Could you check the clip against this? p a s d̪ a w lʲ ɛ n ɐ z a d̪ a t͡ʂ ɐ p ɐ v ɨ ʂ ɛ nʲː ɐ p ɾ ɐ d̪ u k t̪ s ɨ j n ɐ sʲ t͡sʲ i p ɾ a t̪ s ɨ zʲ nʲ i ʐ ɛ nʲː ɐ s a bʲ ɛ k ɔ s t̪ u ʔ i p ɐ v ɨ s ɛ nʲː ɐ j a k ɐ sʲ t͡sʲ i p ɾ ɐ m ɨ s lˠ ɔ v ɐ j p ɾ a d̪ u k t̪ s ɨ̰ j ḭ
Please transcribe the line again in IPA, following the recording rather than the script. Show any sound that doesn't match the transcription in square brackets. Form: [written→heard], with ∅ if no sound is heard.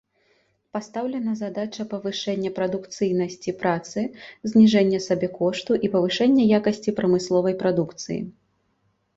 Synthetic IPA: p a s [d̪→t̪] a w lʲ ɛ n ɐ z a d̪ a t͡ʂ ɐ p ɐ v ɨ ʂ ɛ nʲː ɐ p ɾ ɐ d̪ u k t̪ s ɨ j n ɐ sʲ t͡sʲ i p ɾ a t̪ s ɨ zʲ nʲ i ʐ ɛ nʲː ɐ s a bʲ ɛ k ɔ [s→ʂ] t̪ u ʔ i p ɐ v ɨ [s→ʂ] ɛ nʲː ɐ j a k ɐ sʲ t͡sʲ i p ɾ ɐ m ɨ s lˠ ɔ v ɐ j p ɾ a d̪ u k t̪ s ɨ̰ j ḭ

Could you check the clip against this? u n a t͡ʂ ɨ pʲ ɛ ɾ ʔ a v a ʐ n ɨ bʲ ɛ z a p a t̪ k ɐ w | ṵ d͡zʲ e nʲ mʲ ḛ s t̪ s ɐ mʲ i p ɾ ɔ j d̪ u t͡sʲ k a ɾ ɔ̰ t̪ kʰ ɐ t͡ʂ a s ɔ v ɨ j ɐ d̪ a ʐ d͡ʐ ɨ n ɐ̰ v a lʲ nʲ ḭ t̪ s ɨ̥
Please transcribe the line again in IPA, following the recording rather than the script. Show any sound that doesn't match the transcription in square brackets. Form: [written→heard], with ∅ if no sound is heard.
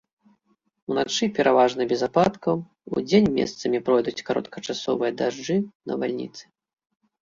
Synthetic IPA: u n a t͡ʂ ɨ pʲ ɛ ɾ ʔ a v a ʐ n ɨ bʲ ɛ z a p a t̪ k ɐ w | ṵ d͡zʲ e nʲ mʲ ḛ s t̪ s ɐ mʲ i p ɾ ɔ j d̪ u t͡sʲ k a ɾ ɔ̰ t̪ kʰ ɐ t͡ʂ a s ɔ v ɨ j ɐ d̪ a ʐ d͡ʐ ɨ n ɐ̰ v a lʲ nʲ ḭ t̪ s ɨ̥

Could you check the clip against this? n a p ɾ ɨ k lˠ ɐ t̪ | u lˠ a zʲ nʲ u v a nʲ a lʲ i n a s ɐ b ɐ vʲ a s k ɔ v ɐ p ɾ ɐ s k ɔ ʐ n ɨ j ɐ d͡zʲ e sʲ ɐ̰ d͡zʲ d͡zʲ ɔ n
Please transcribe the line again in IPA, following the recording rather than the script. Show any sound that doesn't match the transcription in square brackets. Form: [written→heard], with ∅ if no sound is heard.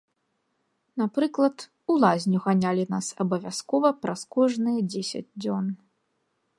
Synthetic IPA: n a p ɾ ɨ k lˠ ɐ t̪ | u lˠ a zʲ nʲ u [v→ɣ] a nʲ a lʲ i n a s ɐ b ɐ vʲ a s k ɔ v ɐ p ɾ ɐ s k ɔ ʐ n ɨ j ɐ d͡zʲ e sʲ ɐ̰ d͡zʲ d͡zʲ ɔ n

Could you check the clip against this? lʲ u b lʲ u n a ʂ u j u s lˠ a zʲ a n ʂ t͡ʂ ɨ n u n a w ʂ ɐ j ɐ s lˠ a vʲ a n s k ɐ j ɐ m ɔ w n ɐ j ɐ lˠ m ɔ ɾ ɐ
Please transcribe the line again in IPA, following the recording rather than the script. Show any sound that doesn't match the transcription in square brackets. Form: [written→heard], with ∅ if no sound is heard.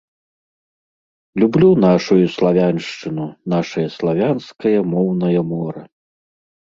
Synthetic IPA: lʲ u b lʲ u n a ʂ u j u s lˠ a [zʲ→vʲ] a n ʂ t͡ʂ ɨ n u n a [w→∅] ʂ ɐ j ɐ s lˠ a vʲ a n s k ɐ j ɐ m ɔ w n ɐ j ɐ [lˠ→∅] m ɔ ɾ ɐ

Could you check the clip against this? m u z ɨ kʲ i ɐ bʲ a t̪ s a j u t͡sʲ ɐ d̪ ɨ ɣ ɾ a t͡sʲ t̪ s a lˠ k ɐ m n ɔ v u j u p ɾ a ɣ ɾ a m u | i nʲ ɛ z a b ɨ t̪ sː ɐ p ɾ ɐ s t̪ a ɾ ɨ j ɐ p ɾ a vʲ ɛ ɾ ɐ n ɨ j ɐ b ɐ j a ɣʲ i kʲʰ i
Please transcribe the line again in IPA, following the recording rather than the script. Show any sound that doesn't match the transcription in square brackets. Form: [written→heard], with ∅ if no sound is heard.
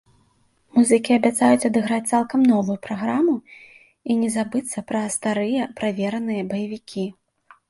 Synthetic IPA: m u z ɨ kʲ i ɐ bʲ a t̪ s a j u t͡sʲ ɐ d̪ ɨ ɣ ɾ a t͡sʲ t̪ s a lˠ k ɐ m n ɔ v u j u p ɾ a ɣ ɾ a m u | i nʲ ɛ z a b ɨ t̪ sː ɐ p ɾ ɐ s t̪ a ɾ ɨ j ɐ p ɾ a vʲ ɛ ɾ ɐ n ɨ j ɐ b ɐ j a [ɣʲ→vʲ] i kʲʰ i

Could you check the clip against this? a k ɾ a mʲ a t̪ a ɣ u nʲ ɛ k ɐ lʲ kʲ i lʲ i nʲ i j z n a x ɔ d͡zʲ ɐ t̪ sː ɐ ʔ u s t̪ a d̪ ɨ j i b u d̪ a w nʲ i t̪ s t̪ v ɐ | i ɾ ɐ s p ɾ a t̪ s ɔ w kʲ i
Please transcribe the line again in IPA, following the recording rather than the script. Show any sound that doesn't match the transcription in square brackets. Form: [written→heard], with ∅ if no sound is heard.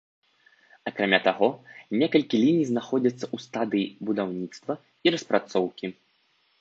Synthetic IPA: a k ɾ a mʲ a t̪ a ɣ [u→ɔ] nʲ ɛ k ɐ lʲ kʲ i lʲ i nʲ i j z n a x ɔ d͡zʲ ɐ t̪ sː ɐ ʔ u s t̪ a d̪ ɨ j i b u d̪ a w nʲ i t̪ s t̪ v ɐ | i ɾ ɐ s p ɾ a t̪ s ɔ w kʲ i

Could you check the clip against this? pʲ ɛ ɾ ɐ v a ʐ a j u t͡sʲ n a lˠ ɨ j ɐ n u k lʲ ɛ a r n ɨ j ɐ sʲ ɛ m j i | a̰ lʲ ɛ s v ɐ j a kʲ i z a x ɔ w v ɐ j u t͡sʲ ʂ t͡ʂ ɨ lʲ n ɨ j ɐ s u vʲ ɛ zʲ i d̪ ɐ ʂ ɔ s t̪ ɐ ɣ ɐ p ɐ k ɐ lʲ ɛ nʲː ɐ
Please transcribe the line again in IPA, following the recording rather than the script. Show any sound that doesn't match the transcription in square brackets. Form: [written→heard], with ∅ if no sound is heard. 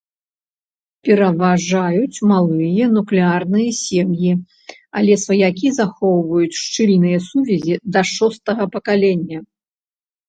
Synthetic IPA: pʲ ɛ ɾ ɐ v a ʐ a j u t͡sʲ [n→m] a lˠ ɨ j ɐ n u k lʲ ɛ a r n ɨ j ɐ sʲ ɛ m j i | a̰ lʲ ɛ s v ɐ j a kʲ i z a x ɔ w v ɐ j u t͡sʲ ʂ t͡ʂ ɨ lʲ n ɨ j ɐ s u vʲ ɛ zʲ i d̪ ɐ ʂ ɔ s t̪ ɐ ɣ ɐ p ɐ k [ɐ→a] lʲ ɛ nʲː ɐ

